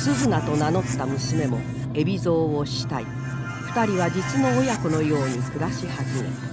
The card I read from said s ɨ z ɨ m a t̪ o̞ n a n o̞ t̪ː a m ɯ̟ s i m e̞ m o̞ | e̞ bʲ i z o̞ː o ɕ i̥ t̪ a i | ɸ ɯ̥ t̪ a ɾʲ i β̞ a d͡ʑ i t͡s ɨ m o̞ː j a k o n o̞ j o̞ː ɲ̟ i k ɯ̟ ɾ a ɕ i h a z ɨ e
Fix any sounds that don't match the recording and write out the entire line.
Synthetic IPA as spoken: s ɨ z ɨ n a t̪ o̞ n a n o̞ t̪ː a m ɯ̟ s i m e̞ m o̞ | e̞ bʲ i z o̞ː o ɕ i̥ t̪ a i | ɸ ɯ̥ t̪ a ɾʲ i β̞ a d͡ʑ i t͡s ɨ n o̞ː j a k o n o̞ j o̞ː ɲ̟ i k ɯ̟ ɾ a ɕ i h a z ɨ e